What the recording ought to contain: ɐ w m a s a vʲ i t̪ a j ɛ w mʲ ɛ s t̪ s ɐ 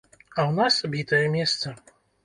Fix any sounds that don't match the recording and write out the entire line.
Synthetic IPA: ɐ w n a s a bʲ i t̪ ɐ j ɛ mʲ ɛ s t̪ s ɐ